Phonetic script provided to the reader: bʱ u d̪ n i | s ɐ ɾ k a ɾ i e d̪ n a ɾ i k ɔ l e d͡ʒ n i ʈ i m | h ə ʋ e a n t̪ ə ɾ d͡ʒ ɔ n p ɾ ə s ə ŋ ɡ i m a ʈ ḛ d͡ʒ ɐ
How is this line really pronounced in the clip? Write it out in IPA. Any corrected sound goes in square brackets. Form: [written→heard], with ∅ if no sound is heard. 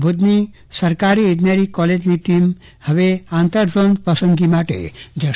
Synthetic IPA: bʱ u d̪ n i | s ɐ ɾ k a ɾ i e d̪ n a ɾ i k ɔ l e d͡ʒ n i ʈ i m | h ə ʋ e a n t̪ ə ɾ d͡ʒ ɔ n p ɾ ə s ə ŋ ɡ i m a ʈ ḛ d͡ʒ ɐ